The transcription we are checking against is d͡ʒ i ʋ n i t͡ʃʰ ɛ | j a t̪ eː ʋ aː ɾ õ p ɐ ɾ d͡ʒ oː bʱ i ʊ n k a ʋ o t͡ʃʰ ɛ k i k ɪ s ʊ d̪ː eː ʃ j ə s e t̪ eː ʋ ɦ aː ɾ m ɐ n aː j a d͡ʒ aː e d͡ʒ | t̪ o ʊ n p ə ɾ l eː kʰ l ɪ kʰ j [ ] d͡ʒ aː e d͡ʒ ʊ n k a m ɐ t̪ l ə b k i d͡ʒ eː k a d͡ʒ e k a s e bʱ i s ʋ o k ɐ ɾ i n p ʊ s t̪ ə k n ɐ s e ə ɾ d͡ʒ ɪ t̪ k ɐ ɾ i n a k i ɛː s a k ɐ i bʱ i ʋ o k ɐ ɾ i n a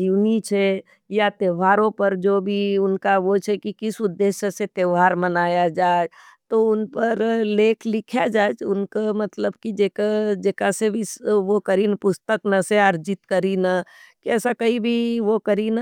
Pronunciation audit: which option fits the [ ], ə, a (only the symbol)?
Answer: a